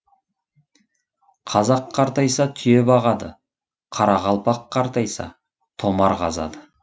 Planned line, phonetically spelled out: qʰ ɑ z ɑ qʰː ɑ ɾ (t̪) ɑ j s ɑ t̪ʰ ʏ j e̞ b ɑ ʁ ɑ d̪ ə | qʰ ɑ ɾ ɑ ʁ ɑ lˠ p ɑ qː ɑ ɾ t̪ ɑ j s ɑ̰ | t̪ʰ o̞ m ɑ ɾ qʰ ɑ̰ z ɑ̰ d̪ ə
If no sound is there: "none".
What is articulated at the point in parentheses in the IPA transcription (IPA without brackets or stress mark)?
t̪